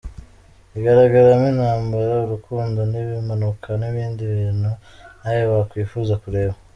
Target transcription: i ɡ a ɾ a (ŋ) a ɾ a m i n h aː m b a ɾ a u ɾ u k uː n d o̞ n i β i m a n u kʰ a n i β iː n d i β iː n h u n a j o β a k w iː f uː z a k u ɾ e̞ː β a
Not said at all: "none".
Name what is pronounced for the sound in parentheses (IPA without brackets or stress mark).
ɡ